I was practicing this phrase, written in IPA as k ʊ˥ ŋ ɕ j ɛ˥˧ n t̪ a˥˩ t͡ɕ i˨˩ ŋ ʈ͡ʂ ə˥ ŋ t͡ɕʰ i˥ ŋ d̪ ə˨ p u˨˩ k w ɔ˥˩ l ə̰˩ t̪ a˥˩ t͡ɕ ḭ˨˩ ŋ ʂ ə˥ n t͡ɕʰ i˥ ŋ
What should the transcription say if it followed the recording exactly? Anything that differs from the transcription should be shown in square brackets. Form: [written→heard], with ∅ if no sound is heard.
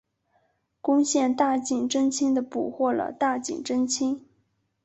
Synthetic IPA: k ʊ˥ ŋ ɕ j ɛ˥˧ n t̪ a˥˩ t͡ɕ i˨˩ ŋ ʈ͡ʂ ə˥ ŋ t͡ɕʰ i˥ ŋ d̪ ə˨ p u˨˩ [k→x] w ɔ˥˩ l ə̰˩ t̪ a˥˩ t͡ɕ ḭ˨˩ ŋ [ʂ→ʈ͡ʂ] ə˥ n t͡ɕʰ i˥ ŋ